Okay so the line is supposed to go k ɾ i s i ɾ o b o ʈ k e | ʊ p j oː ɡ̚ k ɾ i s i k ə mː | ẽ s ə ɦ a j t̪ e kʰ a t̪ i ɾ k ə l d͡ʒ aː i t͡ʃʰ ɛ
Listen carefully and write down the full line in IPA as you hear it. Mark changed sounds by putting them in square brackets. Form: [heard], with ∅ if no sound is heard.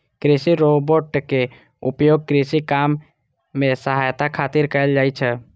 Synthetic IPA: k ɾ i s i ɾ o b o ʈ k e | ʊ p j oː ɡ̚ k ɾ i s i k [a] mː | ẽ s ə ɦ a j t̪ [a] kʰ a t̪ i ɾ k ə l d͡ʒ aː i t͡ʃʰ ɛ